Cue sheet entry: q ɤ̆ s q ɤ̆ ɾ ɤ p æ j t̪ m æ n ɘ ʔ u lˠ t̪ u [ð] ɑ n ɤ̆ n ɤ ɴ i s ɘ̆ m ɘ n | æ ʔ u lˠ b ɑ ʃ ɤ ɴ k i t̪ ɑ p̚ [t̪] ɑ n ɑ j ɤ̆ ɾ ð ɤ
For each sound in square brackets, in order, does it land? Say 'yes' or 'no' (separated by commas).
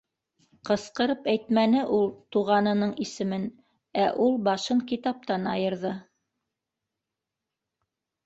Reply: no, yes